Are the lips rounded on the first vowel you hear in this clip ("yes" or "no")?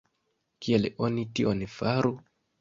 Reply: no